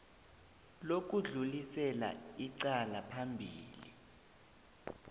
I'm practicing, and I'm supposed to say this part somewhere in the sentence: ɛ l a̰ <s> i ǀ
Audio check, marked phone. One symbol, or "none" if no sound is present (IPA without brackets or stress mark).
none